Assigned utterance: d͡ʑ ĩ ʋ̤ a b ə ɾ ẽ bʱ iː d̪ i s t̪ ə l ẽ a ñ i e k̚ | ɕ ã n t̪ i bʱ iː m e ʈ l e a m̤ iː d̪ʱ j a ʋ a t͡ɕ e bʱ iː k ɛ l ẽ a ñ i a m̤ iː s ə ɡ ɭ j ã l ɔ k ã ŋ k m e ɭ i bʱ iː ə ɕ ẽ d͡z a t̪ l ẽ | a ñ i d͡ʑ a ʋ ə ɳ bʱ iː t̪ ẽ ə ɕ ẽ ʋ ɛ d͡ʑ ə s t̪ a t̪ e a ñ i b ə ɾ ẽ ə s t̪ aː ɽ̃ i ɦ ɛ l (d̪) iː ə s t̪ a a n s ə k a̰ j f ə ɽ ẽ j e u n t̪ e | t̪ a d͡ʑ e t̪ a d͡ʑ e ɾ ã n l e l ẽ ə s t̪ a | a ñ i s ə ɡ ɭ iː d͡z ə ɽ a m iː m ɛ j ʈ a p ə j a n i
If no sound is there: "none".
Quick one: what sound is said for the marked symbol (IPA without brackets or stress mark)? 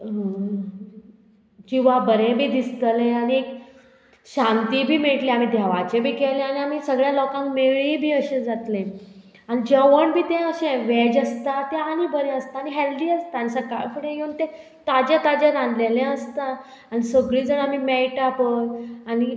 d̪